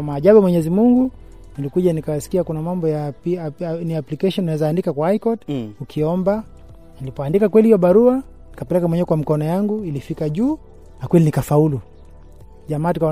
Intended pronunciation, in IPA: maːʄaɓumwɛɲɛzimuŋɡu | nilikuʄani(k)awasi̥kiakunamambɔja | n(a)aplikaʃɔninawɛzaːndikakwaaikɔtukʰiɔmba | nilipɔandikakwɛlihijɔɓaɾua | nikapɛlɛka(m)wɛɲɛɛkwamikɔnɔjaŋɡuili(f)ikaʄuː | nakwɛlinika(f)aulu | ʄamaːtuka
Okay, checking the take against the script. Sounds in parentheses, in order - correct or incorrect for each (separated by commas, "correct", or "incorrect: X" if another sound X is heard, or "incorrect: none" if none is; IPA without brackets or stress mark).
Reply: correct, incorrect: i, correct, correct, correct